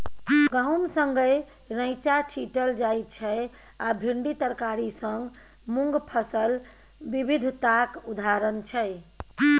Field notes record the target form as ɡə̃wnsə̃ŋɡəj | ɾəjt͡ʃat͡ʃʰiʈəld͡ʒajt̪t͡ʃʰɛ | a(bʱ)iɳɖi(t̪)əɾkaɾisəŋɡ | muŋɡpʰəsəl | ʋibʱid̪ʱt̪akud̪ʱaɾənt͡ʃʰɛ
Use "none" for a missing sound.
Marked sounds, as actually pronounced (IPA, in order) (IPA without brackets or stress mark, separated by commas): bʱ, t̪